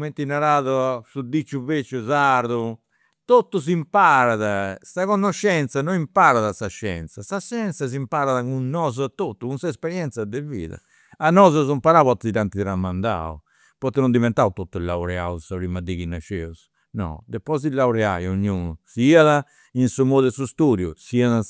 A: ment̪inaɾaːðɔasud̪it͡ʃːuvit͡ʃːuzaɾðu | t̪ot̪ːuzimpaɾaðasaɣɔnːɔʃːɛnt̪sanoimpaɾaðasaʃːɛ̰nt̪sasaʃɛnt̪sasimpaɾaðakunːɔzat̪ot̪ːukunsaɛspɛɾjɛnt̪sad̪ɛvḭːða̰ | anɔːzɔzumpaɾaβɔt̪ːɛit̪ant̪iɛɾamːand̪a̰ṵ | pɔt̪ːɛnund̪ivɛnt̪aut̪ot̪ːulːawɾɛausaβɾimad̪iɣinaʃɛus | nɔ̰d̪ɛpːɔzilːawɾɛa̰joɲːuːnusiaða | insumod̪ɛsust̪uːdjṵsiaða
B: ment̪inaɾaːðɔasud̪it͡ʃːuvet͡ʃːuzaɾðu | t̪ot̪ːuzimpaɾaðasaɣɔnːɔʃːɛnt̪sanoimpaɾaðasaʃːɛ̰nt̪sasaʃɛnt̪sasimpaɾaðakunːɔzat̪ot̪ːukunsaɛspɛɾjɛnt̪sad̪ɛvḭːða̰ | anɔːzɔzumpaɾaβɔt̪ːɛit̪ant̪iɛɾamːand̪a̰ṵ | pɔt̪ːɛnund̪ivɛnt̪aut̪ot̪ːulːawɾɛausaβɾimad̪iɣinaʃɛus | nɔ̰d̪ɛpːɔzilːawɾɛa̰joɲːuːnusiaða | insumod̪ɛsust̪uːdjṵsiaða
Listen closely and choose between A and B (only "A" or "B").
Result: B